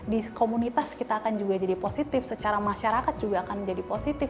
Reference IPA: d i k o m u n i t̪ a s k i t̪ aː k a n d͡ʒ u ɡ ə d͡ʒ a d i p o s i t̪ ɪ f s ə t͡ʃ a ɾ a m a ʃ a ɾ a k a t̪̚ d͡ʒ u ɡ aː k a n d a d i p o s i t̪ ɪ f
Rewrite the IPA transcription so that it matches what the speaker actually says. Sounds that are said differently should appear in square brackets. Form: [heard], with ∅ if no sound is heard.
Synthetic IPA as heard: d i k o m u n i t̪ a s k i t̪ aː k a n d͡ʒ u ɡ [a] d͡ʒ a d i p o s i t̪ ɪ f s ə t͡ʃ a ɾ a m a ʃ a ɾ a k a t̪̚ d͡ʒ u ɡ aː k a n [d͡ʒ] a d i p o s i t̪ ɪ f